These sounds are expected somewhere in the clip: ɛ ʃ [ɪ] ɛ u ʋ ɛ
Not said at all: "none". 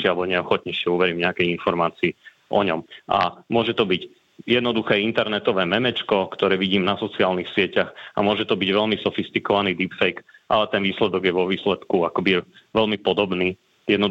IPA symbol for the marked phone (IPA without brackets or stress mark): ɪ